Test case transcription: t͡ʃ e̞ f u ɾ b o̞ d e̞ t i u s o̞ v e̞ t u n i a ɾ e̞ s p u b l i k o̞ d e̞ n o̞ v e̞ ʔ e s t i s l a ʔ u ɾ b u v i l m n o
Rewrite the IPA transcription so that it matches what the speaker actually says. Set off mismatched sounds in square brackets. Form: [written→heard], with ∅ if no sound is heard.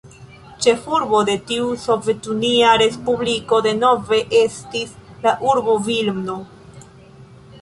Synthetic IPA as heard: t͡ʃ e̞ f u ɾ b o̞ d e̞ t i u s o̞ v e̞ t u n i a ɾ e̞ s p u b l i k o̞ d e̞ n o̞ v e̞ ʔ e s t i s l a ʔ u ɾ b [u→o] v i l m n o